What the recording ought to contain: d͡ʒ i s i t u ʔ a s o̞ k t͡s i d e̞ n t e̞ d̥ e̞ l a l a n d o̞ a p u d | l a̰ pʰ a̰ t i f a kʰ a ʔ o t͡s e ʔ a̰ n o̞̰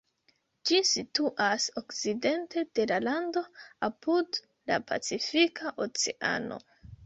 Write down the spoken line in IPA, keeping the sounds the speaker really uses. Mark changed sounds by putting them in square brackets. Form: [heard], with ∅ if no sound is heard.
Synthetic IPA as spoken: d͡ʒ i s i t u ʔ a s o̞ k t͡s i d e̞ n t e̞ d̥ e̞ l a l a n d o̞ a p u d | l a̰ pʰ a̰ [t͡s] i f [i] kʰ a ʔ o t͡s e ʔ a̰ n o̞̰